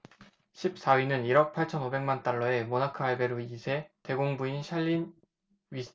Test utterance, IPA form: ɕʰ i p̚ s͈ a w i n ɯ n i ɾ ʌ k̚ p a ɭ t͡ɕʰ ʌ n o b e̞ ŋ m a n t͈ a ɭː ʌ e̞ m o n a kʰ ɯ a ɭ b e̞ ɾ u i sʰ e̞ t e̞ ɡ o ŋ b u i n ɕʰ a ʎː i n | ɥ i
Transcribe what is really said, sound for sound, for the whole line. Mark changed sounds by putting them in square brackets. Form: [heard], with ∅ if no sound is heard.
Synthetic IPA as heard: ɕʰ i p̚ s͈ a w i n ɯ n i ɾ ʌ k̚ [pʰ] a ɭ t͡ɕʰ ʌ n o b e̞ ŋ m a n t͈ a ɭː ʌ e̞ m o n a kʰ ɯ a ɭ b e̞ ɾ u i sʰ e̞ t e̞ ɡ o ŋ b u i n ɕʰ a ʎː i n | ɥ i